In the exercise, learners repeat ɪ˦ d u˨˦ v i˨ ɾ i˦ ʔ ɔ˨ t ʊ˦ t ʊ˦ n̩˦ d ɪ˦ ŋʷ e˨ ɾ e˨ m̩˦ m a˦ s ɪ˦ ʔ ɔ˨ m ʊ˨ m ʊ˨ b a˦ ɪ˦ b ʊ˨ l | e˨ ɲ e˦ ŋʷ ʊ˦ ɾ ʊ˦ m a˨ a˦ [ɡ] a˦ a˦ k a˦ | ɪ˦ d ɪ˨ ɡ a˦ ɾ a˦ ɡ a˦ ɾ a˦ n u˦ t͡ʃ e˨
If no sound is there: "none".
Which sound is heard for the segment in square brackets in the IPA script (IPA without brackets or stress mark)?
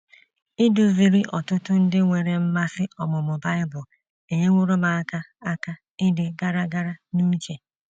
k